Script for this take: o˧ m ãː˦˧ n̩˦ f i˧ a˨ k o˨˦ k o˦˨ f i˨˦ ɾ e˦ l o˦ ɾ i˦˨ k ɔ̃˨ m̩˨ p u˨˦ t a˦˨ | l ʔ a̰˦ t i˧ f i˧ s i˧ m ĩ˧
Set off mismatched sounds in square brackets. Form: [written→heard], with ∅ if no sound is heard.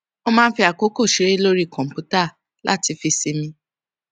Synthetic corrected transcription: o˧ m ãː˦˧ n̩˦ f i˧ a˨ k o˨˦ k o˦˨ [f→ʃ] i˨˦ ɾ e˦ l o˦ ɾ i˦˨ k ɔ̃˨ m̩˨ p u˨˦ t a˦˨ | l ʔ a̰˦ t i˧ f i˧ s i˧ m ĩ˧